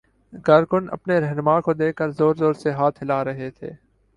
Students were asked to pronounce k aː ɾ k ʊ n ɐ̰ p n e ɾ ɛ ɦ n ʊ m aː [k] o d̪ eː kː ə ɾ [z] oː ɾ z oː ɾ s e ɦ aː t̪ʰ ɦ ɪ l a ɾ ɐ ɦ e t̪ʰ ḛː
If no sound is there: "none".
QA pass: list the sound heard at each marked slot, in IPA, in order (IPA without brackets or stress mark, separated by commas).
k, z